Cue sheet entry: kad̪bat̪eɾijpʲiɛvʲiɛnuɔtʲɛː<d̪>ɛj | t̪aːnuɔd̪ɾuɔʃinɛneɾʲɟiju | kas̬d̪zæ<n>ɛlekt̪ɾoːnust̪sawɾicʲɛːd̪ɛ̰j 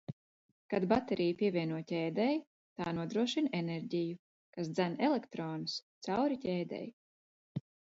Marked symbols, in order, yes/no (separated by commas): yes, yes